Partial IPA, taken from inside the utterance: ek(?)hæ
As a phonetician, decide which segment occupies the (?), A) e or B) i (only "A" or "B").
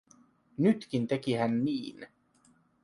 B